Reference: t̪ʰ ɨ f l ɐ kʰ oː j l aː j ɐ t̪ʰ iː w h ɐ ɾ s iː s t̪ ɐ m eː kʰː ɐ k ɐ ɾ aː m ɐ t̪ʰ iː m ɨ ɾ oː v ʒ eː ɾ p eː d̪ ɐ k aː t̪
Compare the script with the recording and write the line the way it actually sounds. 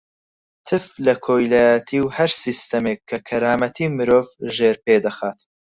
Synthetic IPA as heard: t̪ʰ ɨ f l ɐ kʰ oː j l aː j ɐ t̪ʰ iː w h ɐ ɾ s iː s t̪ ɐ m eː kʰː ɐ kʰ ɐ ɾ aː m ɐ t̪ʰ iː m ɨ ɾ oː v ʒ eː ɾ p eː d̪ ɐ x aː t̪